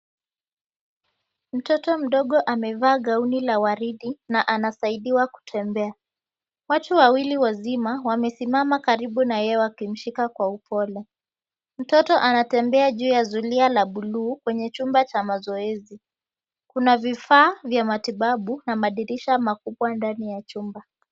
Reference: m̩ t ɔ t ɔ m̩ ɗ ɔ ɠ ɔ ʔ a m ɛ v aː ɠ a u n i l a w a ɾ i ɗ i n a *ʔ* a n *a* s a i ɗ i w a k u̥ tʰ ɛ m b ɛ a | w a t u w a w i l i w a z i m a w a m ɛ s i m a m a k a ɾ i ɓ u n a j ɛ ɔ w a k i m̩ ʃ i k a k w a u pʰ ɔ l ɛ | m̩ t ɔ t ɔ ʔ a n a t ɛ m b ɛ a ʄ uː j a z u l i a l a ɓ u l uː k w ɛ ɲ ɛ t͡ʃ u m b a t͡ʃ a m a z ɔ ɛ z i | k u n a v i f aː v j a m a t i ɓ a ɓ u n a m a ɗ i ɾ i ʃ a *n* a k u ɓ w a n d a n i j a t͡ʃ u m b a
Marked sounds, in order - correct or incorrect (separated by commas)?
correct, correct, incorrect